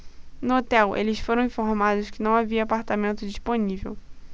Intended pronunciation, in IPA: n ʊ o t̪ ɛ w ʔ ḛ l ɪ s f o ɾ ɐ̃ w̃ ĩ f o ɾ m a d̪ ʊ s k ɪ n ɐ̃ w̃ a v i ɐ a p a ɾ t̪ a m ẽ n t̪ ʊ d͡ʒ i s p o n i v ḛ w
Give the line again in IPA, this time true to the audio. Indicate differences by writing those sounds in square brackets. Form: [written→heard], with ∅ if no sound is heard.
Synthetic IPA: n ʊ o t̪ ɛ w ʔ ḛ l ɪ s f o ɾ ɐ̃ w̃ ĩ f o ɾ m a d̪ ʊ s k ɪ n ɐ̃ w̃ a v i ɐ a p a ɾ t̪ a m ẽ n t̪ ʊ d͡ʒ i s p o n i v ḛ w